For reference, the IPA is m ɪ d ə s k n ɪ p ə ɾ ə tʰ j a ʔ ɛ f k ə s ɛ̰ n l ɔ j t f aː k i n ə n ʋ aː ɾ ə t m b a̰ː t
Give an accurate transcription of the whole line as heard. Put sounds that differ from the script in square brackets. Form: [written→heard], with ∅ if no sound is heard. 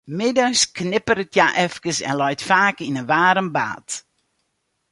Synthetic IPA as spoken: m ɪ d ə s k n ɪ p ə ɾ ə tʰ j a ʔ ɛ f k ə s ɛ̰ n l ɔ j t f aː k i n ə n ʋ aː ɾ ə [t→∅] m b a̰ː t